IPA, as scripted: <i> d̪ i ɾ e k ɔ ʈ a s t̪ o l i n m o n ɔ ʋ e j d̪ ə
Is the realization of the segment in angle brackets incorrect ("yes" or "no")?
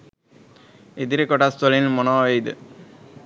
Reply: yes